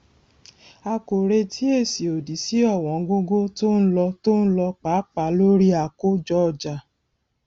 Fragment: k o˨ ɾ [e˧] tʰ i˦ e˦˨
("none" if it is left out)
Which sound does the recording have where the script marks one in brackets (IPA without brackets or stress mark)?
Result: e˧